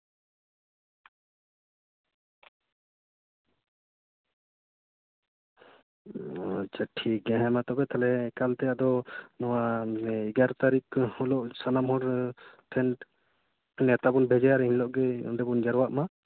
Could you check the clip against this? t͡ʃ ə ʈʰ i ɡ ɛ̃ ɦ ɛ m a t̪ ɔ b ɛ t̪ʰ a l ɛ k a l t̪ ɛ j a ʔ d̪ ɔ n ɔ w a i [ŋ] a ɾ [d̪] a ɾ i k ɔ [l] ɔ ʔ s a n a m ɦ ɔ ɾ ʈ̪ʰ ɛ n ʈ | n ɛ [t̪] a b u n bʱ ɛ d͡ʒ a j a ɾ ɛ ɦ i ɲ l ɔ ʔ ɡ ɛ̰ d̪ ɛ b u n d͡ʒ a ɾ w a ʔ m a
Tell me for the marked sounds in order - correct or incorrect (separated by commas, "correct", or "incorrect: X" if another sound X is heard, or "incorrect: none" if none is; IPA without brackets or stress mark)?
incorrect: ɡ, incorrect: t̪, correct, correct